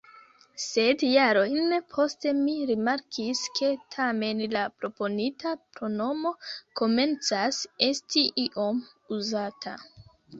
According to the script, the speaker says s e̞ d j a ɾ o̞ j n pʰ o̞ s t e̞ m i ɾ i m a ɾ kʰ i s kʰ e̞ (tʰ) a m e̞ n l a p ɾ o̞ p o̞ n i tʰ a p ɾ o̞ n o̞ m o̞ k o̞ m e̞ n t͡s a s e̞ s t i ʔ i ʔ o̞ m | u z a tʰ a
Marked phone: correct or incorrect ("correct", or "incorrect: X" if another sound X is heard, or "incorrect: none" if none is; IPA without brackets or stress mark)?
correct